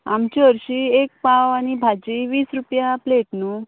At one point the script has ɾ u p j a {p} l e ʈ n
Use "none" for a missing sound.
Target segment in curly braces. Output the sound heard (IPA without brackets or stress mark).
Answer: p